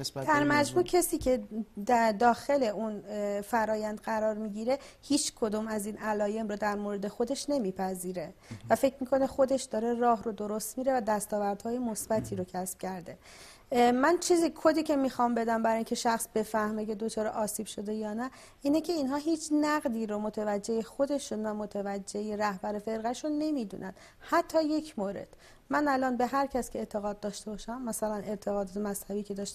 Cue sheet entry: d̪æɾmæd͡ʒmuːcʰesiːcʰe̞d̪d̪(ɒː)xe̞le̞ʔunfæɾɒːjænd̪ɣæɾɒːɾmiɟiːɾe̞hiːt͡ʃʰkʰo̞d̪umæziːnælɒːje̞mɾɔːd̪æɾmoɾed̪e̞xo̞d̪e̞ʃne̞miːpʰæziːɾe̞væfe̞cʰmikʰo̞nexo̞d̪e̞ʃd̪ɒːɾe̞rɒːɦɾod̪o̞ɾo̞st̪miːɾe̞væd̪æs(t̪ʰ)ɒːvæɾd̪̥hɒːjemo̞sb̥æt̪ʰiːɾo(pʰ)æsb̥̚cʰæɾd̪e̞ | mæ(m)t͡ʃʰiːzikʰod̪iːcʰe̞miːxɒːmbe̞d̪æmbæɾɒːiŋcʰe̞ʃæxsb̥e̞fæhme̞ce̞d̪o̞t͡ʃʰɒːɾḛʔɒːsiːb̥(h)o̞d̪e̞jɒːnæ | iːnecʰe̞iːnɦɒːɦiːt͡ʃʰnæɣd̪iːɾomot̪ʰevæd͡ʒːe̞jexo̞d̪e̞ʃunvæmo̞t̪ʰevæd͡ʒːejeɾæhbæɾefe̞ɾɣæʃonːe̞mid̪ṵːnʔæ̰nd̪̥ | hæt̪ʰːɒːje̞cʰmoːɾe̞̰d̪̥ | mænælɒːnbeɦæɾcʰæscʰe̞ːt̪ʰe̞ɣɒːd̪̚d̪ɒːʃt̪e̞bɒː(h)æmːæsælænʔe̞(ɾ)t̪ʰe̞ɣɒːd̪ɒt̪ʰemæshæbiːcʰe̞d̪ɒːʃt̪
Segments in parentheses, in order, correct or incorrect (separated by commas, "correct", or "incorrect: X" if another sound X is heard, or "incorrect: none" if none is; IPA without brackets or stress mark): correct, incorrect: t̪, incorrect: cʰ, incorrect: n, incorrect: ʃ, incorrect: ʃ, correct